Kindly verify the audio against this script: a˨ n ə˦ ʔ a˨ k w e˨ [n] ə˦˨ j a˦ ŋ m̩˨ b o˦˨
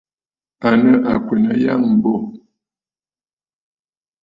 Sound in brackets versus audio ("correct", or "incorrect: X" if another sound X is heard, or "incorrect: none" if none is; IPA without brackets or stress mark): correct